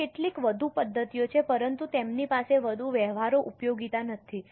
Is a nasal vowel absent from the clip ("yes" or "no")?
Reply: yes